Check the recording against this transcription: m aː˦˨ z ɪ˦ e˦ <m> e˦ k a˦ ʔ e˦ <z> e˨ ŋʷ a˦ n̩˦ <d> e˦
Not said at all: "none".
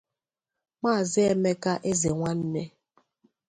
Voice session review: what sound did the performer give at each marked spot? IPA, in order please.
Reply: m, z, n

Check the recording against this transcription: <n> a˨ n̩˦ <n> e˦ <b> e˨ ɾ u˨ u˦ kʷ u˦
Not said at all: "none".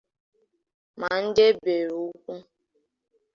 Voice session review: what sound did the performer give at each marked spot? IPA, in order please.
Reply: m, d, b

